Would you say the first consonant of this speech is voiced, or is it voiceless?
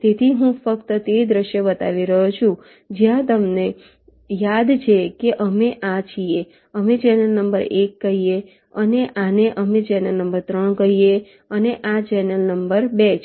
voiceless